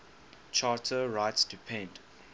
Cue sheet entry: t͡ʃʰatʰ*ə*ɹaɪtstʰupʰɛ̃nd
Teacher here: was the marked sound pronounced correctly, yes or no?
yes